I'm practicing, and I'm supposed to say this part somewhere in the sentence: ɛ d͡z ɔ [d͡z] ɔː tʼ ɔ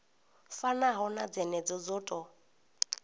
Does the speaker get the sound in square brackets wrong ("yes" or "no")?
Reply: no